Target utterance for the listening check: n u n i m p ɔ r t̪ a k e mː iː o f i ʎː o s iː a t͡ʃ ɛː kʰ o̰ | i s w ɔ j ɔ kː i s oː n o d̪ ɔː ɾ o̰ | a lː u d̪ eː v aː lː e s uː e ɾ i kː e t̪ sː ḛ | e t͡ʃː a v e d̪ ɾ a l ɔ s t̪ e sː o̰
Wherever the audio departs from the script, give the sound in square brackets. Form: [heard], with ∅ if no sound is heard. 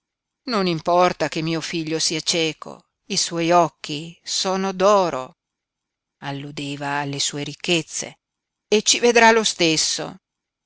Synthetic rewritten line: n [o] n i m p ɔ r t̪ a k e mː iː o f i ʎː o s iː a t͡ʃ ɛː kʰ o̰ | i s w ɔ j ɔ kː i s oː n o d̪ ɔː ɾ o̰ | a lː u d̪ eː v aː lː e s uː e ɾ i kː e t̪ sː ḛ | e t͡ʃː [i] v e d̪ ɾ a l [o] s t̪ e sː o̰